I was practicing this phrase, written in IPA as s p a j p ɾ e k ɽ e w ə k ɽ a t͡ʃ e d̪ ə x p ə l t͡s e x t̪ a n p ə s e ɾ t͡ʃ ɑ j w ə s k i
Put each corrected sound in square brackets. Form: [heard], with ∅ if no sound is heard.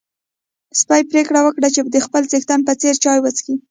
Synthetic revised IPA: s p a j p ɾ e k ɽ [a] w ə k ɽ a t͡ʃ e d̪ ə x p ə l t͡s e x t̪ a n p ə [t͡s] e ɾ t͡ʃ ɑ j w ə [t͡s] k i